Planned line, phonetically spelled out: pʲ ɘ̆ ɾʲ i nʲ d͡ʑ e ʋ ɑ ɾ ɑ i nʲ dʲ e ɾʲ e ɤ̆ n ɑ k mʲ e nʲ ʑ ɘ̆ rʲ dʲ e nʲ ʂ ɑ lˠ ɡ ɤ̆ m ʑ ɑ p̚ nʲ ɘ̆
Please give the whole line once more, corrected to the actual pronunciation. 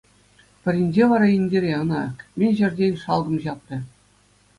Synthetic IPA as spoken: pʲ ɘ̆ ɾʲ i nʲ d͡ʑ e ʋ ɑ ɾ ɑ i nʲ dʲ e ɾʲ e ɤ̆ n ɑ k mʲ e nʲ ʑ ɘ̆ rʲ dʲ e nʲ ʂ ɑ lˠ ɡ ɤ̆ m ʑ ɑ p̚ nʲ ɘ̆